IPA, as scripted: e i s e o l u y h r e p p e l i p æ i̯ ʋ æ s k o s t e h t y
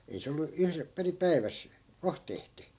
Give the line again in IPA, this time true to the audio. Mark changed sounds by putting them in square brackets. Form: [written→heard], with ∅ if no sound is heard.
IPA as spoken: e i s e o [l→lː] u y h r e p p e [l→r] i p æ i̯ ʋ æ s k o [s→h] t e h t y